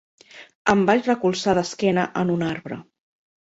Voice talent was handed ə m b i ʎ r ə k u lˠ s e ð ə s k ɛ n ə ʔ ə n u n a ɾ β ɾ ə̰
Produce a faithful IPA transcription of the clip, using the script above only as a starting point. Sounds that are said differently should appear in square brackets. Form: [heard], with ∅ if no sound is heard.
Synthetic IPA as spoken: ə m b [a] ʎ r ə k u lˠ s [a] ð ə s k ɛ n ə ʔ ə n u n a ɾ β ɾ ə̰